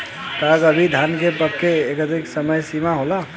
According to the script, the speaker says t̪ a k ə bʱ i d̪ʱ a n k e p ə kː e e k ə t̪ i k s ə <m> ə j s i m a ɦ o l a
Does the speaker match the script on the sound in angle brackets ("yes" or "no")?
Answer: yes